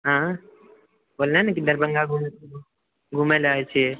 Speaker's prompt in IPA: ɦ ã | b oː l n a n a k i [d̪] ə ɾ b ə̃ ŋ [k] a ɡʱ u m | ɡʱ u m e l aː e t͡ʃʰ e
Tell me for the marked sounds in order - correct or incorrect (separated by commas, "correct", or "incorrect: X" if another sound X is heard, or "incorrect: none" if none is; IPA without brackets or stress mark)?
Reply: correct, incorrect: ɡ